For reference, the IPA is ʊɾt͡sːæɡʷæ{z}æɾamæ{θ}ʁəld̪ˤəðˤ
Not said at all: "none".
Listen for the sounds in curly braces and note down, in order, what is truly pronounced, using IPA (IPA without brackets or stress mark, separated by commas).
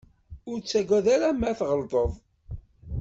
ð, θ